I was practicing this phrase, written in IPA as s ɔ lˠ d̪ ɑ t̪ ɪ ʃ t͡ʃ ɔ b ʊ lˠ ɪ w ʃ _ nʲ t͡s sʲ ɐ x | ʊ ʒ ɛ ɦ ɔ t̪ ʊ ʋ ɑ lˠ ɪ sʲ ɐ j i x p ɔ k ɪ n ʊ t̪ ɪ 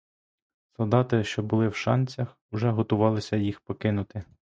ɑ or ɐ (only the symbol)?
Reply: ɑ